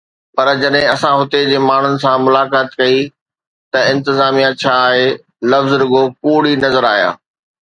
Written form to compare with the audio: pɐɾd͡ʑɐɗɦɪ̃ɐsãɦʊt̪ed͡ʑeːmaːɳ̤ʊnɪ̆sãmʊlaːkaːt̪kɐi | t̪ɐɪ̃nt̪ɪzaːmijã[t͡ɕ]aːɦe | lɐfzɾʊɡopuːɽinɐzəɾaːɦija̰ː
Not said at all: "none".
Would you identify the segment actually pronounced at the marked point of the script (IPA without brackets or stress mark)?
t͡ɕʰ